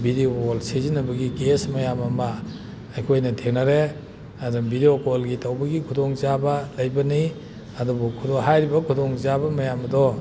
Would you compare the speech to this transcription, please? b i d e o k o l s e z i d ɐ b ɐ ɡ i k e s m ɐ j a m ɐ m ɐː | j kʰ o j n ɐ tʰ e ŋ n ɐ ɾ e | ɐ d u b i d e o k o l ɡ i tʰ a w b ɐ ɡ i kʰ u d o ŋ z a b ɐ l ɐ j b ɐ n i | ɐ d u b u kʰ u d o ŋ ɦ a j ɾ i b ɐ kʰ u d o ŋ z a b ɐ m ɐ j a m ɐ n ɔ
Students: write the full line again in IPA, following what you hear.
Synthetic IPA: b i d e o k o l s e z i n ɐ b ɐ ɡ i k e s m ɐ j a m ɐ m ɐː | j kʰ o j n ɐ tʰ e ŋ n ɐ ɾ e | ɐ d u b i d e o k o l ɡ i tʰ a w b ɐ ɡ i kʰ u d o ŋ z a b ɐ l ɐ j b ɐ n i | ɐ d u b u kʰ u d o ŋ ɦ a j ɾ i b ɐ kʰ u d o ŋ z a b ɐ m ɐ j a m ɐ d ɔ